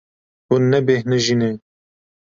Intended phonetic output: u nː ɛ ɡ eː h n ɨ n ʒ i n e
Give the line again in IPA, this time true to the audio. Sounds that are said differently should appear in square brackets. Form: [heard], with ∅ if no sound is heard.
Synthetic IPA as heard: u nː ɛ [b] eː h n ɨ [∅] ʒ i n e